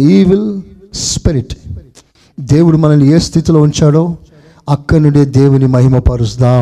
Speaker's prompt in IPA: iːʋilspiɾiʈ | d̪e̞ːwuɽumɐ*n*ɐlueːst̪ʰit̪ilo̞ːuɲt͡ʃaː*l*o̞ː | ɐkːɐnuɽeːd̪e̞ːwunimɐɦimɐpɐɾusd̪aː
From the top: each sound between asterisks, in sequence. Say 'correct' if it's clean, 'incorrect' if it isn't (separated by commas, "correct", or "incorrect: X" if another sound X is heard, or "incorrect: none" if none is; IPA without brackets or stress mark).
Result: correct, incorrect: ɽ